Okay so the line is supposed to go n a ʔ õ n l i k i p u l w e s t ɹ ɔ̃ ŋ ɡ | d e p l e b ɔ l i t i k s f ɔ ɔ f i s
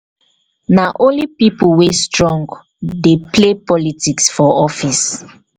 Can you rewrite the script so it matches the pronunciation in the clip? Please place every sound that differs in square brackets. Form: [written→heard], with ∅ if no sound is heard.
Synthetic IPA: n a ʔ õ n l i [k→p] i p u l w e s t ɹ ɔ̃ ŋ ɡ | d e p l e [b→p] ɔ l i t i k s f ɔ ɔ f i s